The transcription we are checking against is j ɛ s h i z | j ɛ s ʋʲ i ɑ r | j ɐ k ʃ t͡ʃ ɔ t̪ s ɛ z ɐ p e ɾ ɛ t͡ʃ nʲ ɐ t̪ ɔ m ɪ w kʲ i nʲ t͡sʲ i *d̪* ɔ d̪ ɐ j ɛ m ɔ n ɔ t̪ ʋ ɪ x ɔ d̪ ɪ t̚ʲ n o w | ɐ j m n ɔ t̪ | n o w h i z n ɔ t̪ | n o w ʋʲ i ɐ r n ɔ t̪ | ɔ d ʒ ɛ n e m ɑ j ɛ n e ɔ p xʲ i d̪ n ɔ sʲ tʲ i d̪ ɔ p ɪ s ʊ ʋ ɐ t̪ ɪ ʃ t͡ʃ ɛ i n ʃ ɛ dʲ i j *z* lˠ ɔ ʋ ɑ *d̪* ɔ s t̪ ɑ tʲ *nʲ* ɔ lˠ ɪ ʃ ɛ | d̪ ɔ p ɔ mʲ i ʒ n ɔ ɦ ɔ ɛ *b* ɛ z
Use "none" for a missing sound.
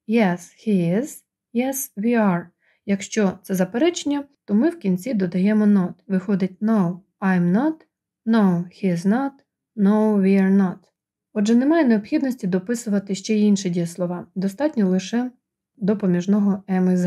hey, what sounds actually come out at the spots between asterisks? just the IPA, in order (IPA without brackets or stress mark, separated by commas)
d̪, s, d̪, nʲ, m